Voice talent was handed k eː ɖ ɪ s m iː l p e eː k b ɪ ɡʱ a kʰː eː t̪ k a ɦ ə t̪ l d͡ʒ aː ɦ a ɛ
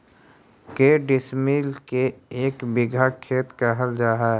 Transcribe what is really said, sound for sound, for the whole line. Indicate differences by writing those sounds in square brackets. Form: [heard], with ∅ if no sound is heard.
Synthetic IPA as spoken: k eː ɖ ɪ s m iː l [k] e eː k b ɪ ɡʱ a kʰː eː t̪ k a ɦ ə [∅] l d͡ʒ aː ɦ a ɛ